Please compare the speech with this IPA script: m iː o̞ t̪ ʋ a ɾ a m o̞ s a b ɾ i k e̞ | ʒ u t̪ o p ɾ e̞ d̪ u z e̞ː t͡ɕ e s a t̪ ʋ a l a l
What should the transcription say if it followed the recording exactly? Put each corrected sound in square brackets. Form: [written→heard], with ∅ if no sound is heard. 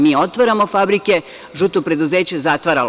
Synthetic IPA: m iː o̞ t̪ ʋ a ɾ a m o̞ [s→f] a b ɾ i k e̞ | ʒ u t̪ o p ɾ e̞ d̪ u z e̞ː t͡ɕ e [s→z] a t̪ ʋ a [l→ɾ] a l